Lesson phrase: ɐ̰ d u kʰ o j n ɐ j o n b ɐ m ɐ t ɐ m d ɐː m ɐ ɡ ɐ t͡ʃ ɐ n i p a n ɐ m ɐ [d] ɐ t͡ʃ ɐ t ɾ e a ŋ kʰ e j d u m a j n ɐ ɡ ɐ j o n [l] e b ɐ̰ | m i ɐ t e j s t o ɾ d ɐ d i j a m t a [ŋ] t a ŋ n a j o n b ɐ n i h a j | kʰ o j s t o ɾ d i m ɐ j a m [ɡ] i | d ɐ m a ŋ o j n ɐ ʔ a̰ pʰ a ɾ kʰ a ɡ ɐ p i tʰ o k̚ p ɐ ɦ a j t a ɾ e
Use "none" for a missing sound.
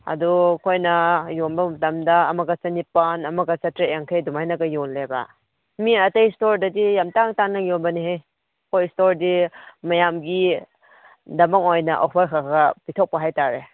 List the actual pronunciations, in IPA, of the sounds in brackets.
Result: ɡ, l, ŋ, ɡ

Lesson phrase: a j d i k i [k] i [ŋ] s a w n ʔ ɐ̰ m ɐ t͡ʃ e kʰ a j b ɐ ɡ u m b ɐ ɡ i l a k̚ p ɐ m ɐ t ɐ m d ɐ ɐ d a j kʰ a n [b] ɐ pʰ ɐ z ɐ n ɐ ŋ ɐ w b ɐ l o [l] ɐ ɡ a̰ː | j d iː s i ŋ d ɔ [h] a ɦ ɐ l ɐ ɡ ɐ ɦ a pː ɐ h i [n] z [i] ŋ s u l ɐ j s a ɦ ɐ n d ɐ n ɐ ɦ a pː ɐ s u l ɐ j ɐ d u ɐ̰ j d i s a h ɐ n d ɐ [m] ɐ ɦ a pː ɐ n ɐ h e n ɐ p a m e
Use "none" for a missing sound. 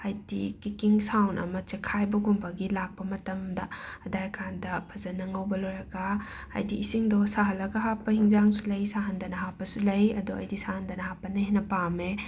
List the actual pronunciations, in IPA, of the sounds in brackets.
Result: k, ŋ, d, ɾ, s, ŋ, a, n

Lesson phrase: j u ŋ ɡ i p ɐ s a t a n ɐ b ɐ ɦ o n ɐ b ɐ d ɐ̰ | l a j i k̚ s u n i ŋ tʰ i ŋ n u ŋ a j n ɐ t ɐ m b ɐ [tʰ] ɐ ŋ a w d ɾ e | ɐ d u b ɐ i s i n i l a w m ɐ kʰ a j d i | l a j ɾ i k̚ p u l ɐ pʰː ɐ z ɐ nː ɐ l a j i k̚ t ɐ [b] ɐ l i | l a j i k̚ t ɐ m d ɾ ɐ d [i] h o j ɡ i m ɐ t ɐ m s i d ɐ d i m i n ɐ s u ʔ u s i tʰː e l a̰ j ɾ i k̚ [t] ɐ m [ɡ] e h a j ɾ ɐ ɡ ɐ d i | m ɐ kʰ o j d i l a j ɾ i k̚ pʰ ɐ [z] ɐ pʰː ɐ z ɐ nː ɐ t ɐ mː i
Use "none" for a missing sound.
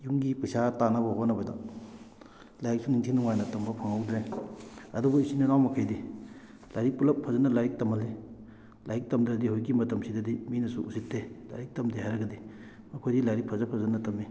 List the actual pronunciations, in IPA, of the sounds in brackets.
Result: pʰ, m, i, t, d, z

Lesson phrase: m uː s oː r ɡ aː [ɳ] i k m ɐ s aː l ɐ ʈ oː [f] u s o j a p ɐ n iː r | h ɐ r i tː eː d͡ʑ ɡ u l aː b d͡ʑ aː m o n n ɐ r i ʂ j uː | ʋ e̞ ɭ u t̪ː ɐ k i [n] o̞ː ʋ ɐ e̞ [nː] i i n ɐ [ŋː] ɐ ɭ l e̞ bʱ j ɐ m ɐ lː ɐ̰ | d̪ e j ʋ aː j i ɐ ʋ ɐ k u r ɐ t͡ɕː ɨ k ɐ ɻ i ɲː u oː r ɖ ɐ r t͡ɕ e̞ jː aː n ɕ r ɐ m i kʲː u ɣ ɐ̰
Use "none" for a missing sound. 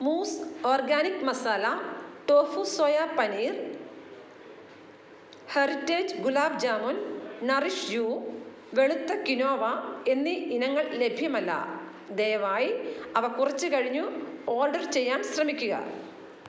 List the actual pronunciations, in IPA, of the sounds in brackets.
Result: n, f, n, nː, ŋː

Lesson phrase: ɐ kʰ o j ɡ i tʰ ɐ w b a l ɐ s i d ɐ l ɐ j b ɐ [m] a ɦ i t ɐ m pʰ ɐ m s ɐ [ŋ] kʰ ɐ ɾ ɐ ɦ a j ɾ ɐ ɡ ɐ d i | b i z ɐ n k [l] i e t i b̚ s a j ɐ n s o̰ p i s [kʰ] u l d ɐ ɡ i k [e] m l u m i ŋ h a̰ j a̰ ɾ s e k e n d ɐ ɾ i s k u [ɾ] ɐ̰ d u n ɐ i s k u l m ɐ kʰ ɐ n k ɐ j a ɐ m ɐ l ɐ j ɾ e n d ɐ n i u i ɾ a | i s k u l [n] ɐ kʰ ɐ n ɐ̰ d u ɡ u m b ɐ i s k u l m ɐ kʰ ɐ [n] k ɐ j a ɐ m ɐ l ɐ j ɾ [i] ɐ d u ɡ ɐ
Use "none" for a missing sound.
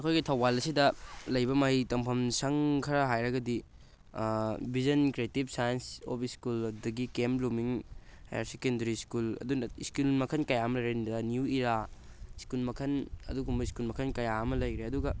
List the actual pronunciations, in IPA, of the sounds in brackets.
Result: m, ŋ, ɾ, k, e, l, m, n, e

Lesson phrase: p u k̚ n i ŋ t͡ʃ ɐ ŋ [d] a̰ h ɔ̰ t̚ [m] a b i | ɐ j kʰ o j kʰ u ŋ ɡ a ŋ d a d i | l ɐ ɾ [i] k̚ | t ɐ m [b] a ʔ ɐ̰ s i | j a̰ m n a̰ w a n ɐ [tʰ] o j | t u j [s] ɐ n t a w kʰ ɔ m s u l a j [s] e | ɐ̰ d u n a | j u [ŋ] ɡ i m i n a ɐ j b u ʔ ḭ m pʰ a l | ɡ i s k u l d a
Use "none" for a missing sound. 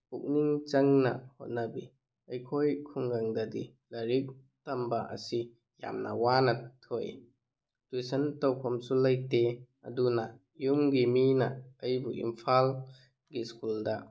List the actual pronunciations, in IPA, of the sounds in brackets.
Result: n, n, i, b, tʰ, s, t, m

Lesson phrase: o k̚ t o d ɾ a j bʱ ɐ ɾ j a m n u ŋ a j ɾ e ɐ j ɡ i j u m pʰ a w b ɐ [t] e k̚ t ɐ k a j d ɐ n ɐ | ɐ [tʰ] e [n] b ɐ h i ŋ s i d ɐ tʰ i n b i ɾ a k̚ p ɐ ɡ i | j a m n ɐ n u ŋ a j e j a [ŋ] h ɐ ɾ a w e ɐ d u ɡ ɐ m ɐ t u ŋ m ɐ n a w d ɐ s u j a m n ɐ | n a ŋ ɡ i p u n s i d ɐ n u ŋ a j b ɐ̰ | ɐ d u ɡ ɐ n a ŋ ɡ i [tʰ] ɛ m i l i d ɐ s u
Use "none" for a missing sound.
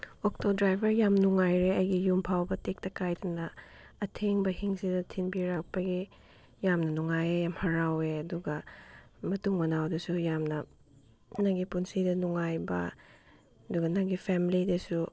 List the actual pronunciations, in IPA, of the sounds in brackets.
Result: t, tʰ, ŋ, m, pʰ

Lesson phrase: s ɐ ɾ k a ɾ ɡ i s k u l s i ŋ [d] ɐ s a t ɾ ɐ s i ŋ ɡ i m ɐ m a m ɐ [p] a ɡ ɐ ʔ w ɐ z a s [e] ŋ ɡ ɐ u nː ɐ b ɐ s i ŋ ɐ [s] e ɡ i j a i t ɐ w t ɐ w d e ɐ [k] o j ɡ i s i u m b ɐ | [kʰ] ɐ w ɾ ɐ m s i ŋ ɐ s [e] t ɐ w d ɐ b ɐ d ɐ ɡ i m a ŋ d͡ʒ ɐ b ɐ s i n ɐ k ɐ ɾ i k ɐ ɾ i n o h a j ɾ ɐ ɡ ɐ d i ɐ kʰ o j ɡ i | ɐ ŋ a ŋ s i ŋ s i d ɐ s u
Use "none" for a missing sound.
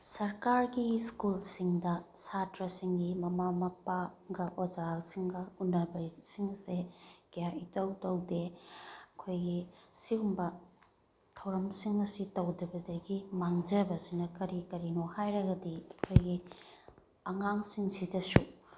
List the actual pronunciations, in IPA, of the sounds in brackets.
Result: d, p, i, s, kʰ, tʰ, i

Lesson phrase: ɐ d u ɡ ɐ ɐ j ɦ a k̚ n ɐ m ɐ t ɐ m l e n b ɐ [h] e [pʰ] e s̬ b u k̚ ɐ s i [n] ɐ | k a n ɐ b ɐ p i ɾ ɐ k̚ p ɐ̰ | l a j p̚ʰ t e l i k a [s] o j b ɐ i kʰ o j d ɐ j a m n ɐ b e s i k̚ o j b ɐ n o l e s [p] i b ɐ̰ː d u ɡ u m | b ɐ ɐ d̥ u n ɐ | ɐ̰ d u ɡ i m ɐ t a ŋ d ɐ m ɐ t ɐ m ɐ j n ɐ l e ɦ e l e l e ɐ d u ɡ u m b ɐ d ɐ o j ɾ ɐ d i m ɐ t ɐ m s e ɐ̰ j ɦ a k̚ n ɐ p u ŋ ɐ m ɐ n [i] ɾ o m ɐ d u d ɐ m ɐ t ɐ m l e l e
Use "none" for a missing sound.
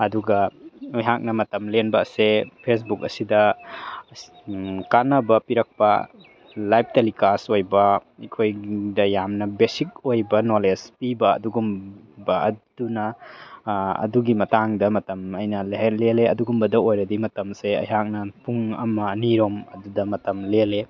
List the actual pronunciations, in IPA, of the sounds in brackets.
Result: s, pʰ, d, s, p, i

